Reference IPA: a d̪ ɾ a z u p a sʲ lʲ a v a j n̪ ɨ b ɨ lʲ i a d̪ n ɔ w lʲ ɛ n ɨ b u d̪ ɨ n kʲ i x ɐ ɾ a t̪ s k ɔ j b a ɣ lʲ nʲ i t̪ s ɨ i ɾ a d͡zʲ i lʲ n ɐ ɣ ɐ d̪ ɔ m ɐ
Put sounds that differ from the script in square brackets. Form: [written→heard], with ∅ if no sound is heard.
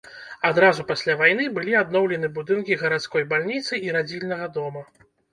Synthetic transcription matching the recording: a d̪ ɾ a z u p a sʲ lʲ a v a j n̪ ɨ b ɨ lʲ i a d̪ n ɔ w lʲ ɛ n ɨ b u d̪ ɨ n kʲ i [x→ɣ] ɐ ɾ a t̪ s k ɔ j b a [ɣ→∅] lʲ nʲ i t̪ s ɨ i ɾ a d͡zʲ i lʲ n ɐ ɣ ɐ d̪ ɔ m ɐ

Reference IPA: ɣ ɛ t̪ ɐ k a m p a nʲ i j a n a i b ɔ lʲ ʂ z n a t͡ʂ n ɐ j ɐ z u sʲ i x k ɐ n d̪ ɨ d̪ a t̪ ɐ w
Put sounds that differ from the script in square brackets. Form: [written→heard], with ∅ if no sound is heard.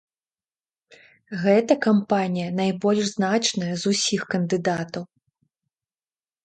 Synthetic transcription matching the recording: ɣ ɛ t̪ ɐ k a m p a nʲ i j [a→ɐ] n a [i→j] b ɔ lʲ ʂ z n a t͡ʂ n ɐ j ɐ z u sʲ i x k ɐ n d̪ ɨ d̪ a t̪ ɐ w

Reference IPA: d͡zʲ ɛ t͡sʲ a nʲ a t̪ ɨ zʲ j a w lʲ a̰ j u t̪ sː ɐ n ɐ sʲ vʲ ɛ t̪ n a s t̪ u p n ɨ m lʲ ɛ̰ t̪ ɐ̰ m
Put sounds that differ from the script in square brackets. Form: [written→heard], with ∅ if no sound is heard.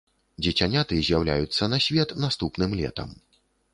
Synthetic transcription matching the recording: d͡zʲ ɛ t͡sʲ a nʲ a t̪ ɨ zʲ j a w lʲ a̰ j u t̪ sː ɐ n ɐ sʲ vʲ ɛ t̪ n a s t̪ u p n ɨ m lʲ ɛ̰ t̪ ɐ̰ m

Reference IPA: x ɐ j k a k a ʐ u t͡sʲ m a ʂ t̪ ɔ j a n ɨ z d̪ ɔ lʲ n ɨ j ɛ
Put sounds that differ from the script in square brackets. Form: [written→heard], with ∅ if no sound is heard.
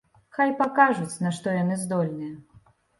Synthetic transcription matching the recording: x [ɐ→a] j [k→p] a k a ʐ u t͡sʲ [m→n] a ʂ t̪ ɔ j a n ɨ z d̪ ɔ lʲ n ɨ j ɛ

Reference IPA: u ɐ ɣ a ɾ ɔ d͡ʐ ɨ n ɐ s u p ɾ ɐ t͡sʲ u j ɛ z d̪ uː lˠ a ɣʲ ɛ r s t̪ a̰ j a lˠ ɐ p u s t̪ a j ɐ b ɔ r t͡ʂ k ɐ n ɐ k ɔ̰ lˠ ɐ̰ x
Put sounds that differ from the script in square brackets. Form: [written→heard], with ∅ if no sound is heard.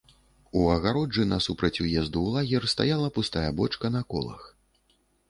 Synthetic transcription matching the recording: u ɐ ɣ a ɾ ɔ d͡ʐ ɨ n ɐ s u p ɾ ɐ t͡sʲ u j ɛ z d̪ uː lˠ a ɣʲ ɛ r s t̪ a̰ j a lˠ ɐ p u s t̪ a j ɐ b ɔ [r→∅] t͡ʂ k ɐ n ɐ k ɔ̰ lˠ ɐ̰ x

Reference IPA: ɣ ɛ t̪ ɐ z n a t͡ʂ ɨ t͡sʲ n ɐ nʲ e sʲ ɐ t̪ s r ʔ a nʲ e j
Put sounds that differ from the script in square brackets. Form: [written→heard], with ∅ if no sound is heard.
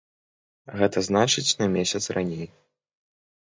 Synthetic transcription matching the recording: ɣ ɛ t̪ ɐ z n a t͡ʂ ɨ t͡sʲ n ɐ [nʲ→mʲ] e sʲ ɐ t̪ s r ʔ a nʲ e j

